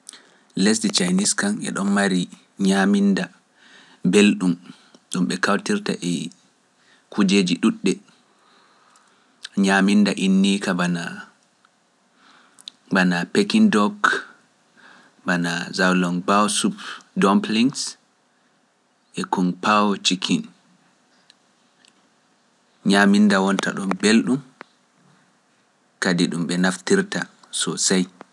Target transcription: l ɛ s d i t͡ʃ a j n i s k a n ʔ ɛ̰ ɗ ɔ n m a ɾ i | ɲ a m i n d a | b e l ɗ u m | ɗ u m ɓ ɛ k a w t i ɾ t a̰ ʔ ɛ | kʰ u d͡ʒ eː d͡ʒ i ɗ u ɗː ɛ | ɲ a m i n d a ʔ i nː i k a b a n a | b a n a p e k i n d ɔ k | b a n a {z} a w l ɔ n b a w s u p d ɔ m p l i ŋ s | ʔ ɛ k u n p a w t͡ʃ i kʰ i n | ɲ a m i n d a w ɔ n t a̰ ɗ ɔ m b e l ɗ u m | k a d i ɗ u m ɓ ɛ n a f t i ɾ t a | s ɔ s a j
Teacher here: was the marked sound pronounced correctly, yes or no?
yes